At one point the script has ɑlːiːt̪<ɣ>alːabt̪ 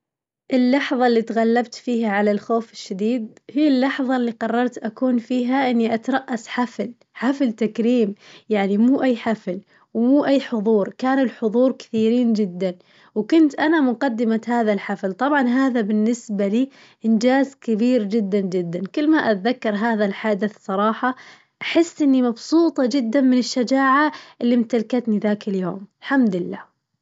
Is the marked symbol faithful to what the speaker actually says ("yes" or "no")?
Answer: yes